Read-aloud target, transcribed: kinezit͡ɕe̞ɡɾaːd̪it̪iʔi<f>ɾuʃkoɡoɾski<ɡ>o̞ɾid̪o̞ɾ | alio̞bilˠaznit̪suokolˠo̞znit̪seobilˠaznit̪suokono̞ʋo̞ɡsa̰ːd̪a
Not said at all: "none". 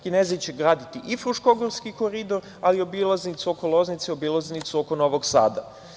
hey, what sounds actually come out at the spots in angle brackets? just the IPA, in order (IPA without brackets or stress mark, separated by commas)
f, k